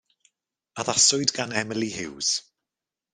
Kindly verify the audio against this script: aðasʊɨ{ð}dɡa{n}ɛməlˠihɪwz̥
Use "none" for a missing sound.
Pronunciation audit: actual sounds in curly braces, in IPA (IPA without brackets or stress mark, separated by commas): none, n